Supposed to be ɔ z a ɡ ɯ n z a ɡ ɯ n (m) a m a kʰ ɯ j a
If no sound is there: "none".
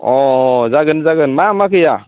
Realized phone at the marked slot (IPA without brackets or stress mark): m